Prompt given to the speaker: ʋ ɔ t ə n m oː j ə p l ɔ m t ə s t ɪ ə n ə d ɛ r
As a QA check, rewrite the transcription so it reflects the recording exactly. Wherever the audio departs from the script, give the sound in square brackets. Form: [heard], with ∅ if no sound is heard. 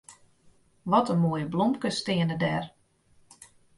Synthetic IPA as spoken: ʋ ɔ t ə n m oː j ə [b] l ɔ m [k] ə s t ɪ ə n ə d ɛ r